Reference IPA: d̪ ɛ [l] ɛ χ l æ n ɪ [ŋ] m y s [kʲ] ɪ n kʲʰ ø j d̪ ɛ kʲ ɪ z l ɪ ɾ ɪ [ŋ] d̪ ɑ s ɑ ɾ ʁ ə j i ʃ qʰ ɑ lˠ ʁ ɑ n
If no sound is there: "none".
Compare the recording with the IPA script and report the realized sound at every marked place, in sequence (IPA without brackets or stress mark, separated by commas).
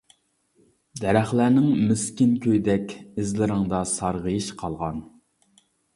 ɾ, ŋ, kʲ, ŋ